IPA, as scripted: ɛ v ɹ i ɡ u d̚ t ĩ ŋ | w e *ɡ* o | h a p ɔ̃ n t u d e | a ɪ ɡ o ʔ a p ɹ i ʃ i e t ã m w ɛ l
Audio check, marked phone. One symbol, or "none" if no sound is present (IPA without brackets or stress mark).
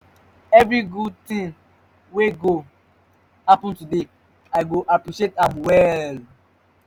ɡ